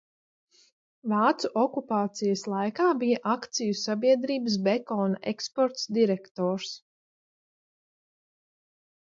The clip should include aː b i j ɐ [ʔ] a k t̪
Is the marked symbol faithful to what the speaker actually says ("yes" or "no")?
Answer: yes